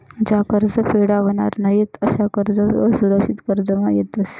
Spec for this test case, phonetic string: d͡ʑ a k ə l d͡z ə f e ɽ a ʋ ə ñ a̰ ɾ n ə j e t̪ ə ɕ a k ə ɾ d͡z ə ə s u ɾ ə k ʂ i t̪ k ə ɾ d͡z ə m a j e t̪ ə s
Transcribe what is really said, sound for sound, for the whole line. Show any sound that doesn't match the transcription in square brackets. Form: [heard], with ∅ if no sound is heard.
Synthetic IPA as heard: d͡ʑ a k ə [ɾ] d͡z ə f e ɽ a ʋ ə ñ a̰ ɾ n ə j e t̪ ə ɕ a k ə ɾ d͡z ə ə s u ɾ ə k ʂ i t̪ k ə ɾ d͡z ə m a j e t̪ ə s

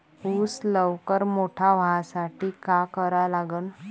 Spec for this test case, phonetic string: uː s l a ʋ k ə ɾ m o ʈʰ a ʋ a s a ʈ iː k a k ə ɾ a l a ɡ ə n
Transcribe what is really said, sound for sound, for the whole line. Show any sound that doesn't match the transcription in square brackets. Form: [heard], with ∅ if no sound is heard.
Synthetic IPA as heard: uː s l [ə] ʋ k ə ɾ m o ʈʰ a ʋ a s a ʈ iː k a k ə ɾ a l a ɡ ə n

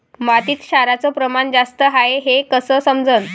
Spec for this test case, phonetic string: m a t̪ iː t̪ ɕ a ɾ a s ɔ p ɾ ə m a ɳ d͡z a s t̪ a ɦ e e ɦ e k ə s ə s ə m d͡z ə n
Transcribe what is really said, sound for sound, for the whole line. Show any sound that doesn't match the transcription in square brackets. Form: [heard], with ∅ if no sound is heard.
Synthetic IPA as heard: m a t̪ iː t̪ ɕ a ɾ a [t͡s] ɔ p ɾ ə m a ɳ d͡z a s t̪ [ə] ɦ [a] e ɦ e k ə s ə s ə m d͡z ə n

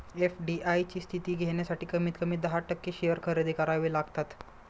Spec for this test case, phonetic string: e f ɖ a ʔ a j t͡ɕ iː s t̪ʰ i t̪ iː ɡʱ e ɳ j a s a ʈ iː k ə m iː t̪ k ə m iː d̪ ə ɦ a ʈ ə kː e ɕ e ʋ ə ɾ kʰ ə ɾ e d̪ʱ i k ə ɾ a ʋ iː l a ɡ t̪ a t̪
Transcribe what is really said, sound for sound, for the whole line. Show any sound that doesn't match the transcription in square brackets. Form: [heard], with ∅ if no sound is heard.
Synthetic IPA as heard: e f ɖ [i] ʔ a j t͡ɕ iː s t̪ʰ i t̪ iː ɡʱ e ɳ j a s a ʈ iː k ə m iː t̪ k ə m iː d̪ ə ɦ a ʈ ə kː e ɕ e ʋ ə ɾ kʰ ə ɾ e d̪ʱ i k ə ɾ a ʋ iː l a ɡ t̪ a t̪

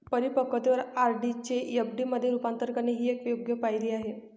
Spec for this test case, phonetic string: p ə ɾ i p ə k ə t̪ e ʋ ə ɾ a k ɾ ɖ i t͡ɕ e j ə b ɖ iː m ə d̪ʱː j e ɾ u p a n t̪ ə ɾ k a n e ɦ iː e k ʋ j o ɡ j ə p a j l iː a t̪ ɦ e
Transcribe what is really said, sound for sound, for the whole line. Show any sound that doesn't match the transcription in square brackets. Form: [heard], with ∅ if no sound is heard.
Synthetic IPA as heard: p ə ɾ i p ə k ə t̪ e ʋ ə ɾ a [∅] ɾ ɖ i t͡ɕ e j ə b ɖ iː m ə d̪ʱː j e ɾ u p a n t̪ ə ɾ k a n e ɦ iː e k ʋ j o ɡ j ə p a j l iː a [∅] ɦ e

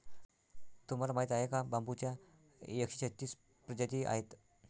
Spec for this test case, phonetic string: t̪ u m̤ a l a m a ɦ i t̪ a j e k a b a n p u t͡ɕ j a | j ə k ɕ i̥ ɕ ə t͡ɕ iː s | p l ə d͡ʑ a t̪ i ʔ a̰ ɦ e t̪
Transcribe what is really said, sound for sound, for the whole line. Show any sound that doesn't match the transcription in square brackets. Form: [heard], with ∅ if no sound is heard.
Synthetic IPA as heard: t̪ u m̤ a l a m a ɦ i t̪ a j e k a b a [m] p u t͡ɕ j a | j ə k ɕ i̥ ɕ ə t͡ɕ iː s | p [ɾ] ə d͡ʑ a t̪ i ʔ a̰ ɦ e t̪

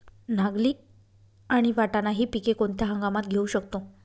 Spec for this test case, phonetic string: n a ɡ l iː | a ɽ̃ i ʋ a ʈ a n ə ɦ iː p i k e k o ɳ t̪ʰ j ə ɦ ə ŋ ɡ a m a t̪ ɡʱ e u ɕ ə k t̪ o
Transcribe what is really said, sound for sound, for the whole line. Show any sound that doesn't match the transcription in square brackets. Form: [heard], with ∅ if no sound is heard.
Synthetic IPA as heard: n a ɡ l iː | a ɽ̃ i ʋ a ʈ a n [a] ɦ iː p i k e k o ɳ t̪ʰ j [a] ɦ ə ŋ ɡ a m a t̪ ɡʱ e u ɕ ə k t̪ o

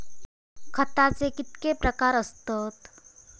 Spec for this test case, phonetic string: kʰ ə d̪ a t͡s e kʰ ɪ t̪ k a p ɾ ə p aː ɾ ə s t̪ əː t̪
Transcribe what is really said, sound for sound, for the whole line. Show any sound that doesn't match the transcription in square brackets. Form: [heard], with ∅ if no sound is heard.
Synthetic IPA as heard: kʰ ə [t̪] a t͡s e [k] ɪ t̪ k [e] p ɾ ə [k] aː ɾ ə s t̪ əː t̪

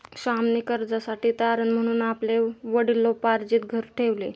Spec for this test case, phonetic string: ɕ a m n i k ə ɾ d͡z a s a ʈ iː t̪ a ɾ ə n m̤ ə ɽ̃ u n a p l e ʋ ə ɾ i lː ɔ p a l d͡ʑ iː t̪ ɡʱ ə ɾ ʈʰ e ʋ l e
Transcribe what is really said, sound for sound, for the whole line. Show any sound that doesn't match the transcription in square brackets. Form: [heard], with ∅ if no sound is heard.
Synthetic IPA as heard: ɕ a m n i k ə ɾ d͡z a s a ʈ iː t̪ a ɾ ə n m̤ ə ɽ̃ [uː] n a p l e ʋ ə [ɽ] i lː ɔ p a [ɾ] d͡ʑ iː t̪ ɡʱ ə ɾ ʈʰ e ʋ l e

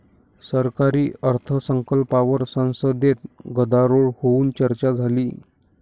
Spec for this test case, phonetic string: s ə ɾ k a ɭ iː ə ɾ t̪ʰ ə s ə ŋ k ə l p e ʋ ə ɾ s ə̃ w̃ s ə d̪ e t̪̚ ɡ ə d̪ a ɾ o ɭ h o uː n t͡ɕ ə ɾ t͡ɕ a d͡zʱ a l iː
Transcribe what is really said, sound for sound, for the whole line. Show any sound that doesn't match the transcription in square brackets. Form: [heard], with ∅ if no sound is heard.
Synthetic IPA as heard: s ə ɾ k a [ɾ] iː ə ɾ t̪ʰ ə s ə ŋ k ə l p [a] ʋ ə ɾ s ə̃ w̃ s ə d̪ e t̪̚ ɡ ə d̪ a ɾ o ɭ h o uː n t͡ɕ ə ɾ t͡ɕ a d͡zʱ a l iː

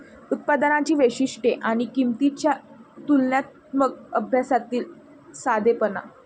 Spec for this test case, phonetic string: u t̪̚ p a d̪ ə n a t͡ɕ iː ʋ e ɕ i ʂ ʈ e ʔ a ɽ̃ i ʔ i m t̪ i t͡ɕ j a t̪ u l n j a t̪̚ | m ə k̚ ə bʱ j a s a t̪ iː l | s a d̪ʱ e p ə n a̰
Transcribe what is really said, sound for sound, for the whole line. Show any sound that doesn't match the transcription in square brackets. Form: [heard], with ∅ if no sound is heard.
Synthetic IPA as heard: u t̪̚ p a d̪ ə n a t͡ɕ iː ʋ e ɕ i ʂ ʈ e ʔ a ɽ̃ i [k] i m t̪ i t͡ɕ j a t̪ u l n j a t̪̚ | m ə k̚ ə bʱ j a s a t̪ iː l | s a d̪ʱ e p ə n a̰

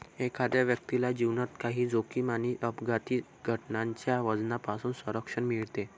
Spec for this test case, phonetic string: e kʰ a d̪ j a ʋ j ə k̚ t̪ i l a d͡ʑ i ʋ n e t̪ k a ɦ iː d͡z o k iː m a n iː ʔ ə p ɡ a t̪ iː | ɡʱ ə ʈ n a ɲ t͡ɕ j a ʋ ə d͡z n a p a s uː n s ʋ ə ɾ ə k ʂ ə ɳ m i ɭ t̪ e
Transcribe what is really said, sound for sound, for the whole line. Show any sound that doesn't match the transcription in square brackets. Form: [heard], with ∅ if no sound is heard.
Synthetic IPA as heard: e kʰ a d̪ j a ʋ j ə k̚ t̪ i l a d͡ʑ i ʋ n [a] t̪ k a ɦ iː d͡z o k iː m a n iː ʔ ə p ɡ a t̪ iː | ɡʱ ə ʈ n a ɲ t͡ɕ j a ʋ ə d͡z n a p a s uː n s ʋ ə ɾ ə k ʂ ə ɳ m i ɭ t̪ e

